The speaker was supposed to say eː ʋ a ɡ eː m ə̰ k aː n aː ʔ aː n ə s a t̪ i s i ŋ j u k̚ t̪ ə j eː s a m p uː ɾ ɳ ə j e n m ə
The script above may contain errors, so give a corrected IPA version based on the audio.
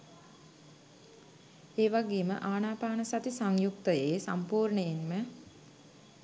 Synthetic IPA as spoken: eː ʋ a ɡ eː m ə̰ ʔ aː n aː p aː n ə s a t̪ i s a ŋ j u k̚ t̪ ə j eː s a m p uː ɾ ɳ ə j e n m ə